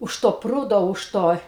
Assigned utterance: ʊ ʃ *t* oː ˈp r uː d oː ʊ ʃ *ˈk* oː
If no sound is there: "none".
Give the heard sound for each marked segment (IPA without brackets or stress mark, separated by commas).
t, t